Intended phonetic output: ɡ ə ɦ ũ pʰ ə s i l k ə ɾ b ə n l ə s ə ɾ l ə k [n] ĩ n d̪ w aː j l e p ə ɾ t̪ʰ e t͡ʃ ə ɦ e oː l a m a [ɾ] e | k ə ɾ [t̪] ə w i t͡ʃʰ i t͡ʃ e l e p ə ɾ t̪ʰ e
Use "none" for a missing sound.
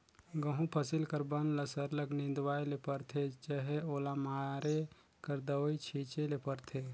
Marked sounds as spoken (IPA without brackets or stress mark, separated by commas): n, ɾ, d̪